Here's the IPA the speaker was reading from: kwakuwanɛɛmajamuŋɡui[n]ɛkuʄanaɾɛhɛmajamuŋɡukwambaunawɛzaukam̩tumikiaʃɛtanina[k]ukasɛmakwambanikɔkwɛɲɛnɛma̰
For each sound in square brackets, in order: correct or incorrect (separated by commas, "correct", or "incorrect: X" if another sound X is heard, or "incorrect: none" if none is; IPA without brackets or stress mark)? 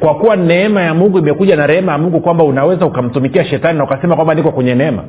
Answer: incorrect: m, incorrect: none